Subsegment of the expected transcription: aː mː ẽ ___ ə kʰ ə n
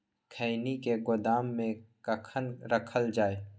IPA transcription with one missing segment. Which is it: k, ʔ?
k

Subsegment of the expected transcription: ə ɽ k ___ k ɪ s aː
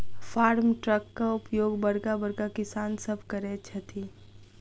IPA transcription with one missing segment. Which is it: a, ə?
a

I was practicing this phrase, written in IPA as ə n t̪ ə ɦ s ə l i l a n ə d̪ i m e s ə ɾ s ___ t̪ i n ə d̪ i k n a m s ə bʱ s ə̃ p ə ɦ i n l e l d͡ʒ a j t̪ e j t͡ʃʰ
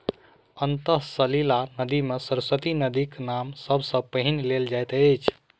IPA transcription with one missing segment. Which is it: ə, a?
ə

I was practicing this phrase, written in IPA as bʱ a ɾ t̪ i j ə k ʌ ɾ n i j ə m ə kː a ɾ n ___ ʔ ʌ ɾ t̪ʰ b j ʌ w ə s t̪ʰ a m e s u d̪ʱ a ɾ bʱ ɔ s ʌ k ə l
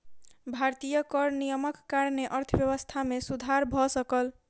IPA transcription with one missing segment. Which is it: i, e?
e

